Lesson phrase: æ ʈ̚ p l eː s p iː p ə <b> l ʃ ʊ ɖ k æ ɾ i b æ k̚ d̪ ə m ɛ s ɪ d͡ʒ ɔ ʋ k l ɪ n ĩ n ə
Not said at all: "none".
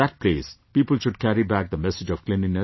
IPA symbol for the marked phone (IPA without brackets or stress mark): none